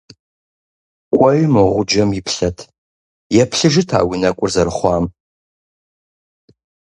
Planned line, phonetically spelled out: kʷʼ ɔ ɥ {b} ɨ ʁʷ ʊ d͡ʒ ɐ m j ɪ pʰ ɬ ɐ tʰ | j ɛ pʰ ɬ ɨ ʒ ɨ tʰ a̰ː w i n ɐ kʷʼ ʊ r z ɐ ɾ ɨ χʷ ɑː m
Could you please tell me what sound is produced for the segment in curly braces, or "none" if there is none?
m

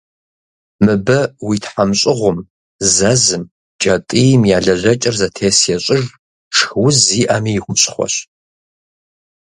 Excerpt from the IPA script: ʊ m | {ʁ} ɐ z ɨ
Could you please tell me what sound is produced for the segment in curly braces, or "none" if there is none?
z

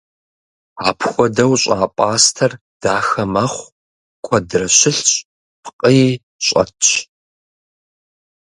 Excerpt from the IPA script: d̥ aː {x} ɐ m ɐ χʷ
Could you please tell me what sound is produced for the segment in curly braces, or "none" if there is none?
x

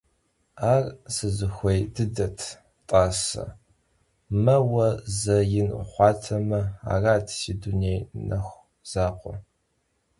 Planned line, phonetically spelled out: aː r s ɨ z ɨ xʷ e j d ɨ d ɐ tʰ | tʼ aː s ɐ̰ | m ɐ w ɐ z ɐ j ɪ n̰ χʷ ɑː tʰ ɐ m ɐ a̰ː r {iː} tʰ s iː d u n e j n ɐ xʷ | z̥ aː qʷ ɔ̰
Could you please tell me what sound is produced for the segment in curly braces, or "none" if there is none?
aː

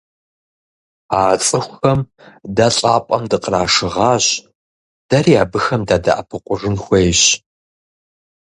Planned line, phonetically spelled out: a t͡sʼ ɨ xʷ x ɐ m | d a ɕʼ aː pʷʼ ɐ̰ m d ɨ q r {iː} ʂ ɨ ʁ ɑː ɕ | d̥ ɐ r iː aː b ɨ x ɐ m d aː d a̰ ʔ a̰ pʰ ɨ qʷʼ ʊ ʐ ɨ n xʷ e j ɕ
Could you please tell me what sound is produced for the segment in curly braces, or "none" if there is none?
aː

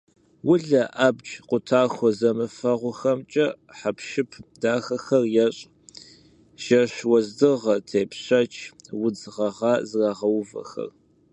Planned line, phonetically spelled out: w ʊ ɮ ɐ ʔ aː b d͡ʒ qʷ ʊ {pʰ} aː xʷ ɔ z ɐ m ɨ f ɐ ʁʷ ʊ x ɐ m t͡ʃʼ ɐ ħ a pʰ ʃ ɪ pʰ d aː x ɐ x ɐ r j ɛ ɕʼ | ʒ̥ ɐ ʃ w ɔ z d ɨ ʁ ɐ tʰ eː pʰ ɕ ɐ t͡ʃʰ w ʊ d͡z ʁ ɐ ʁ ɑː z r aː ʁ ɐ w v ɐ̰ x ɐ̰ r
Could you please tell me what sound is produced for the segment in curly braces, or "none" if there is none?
tʰ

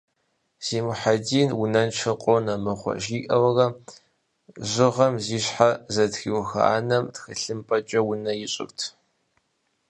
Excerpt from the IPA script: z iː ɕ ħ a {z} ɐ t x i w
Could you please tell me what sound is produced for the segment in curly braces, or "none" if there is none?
z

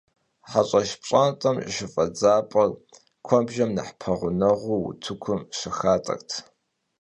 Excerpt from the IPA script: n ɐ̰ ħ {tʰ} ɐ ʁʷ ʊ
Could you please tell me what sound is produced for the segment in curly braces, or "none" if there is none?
pʰ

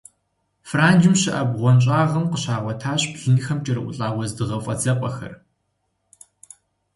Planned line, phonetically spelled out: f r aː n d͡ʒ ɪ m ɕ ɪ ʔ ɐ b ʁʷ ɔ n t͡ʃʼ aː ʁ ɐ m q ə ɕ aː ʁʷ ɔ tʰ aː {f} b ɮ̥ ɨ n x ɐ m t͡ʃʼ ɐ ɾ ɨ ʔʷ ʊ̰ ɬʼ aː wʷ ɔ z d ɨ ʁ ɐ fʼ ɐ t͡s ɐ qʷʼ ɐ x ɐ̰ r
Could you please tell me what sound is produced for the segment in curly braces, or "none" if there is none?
ɕ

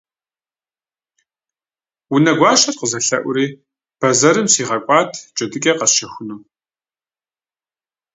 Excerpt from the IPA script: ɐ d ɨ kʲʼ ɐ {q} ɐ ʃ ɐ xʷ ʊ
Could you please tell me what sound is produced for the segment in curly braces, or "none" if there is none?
q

